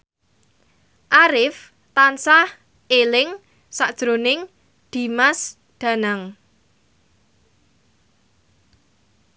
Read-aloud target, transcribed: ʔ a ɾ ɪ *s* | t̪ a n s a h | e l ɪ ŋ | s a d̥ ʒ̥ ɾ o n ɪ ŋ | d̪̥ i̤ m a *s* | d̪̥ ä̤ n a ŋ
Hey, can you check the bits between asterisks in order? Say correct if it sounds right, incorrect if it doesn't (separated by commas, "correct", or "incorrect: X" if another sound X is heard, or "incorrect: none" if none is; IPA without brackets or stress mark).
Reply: incorrect: f, correct